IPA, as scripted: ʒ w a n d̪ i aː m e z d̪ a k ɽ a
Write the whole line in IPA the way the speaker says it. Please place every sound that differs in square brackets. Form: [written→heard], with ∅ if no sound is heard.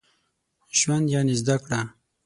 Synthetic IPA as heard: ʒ w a n d̪ [i→j] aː [m→n] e z d̪ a k ɽ a